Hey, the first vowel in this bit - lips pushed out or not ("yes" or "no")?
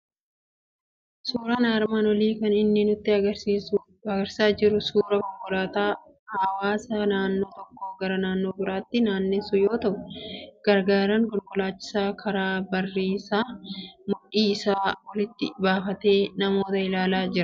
yes